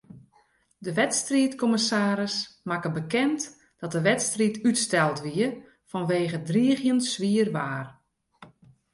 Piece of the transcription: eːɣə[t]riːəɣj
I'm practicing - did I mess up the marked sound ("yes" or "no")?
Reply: yes